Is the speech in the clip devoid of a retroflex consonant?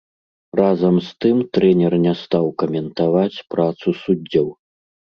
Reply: yes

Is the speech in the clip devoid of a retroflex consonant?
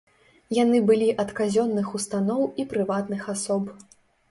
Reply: yes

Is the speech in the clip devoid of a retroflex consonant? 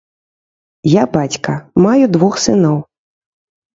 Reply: yes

